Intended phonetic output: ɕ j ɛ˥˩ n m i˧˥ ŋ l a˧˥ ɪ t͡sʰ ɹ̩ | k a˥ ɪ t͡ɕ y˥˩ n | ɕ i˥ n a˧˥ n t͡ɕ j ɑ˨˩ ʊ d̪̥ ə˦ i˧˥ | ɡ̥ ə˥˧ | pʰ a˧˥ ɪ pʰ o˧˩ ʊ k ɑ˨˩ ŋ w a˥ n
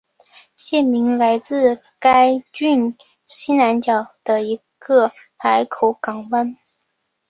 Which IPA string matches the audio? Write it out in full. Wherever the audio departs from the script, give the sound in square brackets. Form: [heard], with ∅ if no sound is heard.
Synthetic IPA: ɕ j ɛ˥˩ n m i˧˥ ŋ l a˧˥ ɪ [t͡s] ɹ̩ | k a˥ ɪ t͡ɕ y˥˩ n | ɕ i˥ n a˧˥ n t͡ɕ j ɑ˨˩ ʊ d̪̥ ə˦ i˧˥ | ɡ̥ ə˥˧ | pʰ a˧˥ ɪ [kʰ] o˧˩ ʊ k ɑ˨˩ ŋ w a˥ n